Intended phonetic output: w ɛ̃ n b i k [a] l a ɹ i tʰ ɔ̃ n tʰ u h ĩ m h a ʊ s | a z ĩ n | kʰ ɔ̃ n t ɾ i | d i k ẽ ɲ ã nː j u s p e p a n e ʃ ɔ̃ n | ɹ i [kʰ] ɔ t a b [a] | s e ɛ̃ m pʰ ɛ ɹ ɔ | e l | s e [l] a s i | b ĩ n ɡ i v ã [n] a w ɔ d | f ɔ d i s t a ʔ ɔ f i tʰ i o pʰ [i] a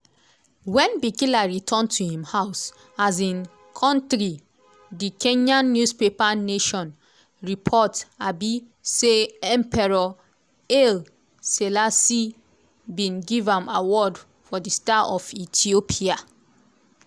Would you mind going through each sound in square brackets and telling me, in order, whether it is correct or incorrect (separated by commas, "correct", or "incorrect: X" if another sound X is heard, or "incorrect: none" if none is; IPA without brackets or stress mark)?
incorrect: i, incorrect: pʰ, incorrect: i, correct, incorrect: m, correct